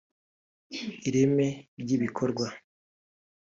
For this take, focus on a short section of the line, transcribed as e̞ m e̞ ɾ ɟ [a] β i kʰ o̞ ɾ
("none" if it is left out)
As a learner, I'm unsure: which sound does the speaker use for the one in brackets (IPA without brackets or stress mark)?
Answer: i